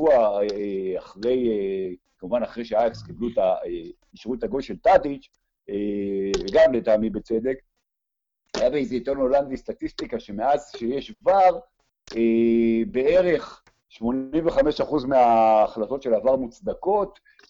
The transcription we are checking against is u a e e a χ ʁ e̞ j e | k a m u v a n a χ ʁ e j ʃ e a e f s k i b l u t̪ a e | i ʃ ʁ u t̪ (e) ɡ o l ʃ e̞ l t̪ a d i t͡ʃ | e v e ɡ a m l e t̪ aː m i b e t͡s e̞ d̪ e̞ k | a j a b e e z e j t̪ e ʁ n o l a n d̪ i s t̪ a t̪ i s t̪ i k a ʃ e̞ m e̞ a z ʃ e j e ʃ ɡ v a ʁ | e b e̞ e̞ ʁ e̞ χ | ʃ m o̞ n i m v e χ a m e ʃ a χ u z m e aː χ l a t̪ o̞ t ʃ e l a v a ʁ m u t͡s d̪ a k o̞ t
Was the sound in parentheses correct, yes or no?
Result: no